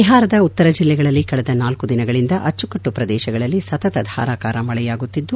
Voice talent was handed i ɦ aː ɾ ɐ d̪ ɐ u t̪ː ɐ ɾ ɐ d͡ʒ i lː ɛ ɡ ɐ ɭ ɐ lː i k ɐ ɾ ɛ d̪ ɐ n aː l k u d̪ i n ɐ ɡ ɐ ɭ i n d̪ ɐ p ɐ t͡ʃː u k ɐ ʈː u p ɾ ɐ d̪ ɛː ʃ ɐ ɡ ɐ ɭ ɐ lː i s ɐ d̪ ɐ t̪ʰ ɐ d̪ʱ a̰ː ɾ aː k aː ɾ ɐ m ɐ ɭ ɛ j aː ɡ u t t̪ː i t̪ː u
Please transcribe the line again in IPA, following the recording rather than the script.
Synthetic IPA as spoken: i ɦ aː ɾ ɐ d̪ ɐ u t̪ː ɐ ɾ ɐ d͡ʒ i lː ɛ ɡ ɐ ɭ ɐ lː i k ɐ ɭ ɛ d̪ ɐ n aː l k u d̪ i n ɐ ɡ ɐ ɭ i n d̪ ɐ ʔ ɐ t͡ʃː u k ɐ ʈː u p ɾ ɐ d̪ ɛː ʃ ɐ ɡ ɐ ɭ ɐ lː i s ɐ t̪ ɐ t̪ ɐ d̪ʱ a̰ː ɾ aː k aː ɾ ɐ m ɐ ɭ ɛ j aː ɡ u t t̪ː i d̪ː u